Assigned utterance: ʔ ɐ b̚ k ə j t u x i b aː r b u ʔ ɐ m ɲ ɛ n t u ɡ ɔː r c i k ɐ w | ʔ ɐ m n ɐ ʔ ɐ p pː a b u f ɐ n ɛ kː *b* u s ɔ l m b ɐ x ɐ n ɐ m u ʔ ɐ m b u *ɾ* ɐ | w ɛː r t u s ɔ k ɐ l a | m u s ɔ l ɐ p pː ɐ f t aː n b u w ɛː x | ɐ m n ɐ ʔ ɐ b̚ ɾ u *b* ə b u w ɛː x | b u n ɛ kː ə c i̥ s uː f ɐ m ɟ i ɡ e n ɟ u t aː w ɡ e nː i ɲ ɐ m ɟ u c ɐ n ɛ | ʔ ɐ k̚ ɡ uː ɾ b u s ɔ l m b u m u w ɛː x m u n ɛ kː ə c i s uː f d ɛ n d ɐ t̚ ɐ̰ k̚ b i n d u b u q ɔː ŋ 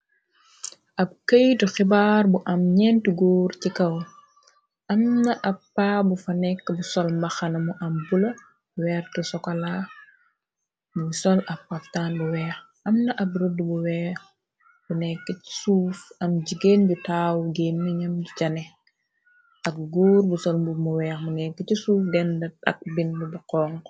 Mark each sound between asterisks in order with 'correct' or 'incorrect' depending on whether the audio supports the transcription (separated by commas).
correct, incorrect, incorrect